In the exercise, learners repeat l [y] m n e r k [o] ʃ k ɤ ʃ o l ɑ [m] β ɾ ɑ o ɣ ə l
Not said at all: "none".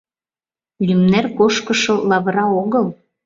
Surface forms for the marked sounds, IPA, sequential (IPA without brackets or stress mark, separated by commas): y, o, none